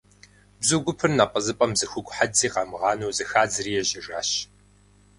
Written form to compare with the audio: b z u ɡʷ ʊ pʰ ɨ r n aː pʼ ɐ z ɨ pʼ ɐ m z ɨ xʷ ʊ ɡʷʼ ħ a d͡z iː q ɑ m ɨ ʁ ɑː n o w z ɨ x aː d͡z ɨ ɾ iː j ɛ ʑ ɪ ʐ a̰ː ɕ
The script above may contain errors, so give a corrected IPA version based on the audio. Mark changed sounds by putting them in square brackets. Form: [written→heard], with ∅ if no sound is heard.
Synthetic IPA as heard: b z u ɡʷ ʊ pʰ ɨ r n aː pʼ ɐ z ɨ pʼ ɐ m z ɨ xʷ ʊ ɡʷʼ ħ a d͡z iː q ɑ m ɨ ʁ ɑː n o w z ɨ x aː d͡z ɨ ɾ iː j ɛ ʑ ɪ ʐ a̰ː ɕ